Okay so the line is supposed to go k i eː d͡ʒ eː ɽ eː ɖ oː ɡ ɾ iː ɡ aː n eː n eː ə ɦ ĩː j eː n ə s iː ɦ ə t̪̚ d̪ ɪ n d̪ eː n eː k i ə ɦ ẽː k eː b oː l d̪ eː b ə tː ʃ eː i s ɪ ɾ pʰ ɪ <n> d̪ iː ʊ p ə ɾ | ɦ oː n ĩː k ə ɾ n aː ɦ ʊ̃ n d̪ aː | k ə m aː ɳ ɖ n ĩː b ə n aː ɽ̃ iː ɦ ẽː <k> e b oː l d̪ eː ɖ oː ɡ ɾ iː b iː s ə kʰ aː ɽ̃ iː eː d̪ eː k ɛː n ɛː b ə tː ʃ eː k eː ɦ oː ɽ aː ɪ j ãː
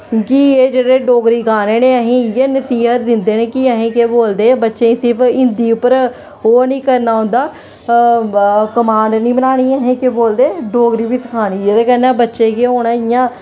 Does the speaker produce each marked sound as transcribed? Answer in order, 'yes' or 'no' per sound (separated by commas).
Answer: yes, yes